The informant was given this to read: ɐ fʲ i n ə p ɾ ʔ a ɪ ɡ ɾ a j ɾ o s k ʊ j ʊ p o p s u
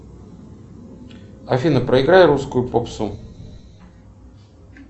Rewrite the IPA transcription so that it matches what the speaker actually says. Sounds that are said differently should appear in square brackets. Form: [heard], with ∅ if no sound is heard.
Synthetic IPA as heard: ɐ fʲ i n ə p ɾ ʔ [ə] ɪ ɡ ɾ a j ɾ [u] s k ʊ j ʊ p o p s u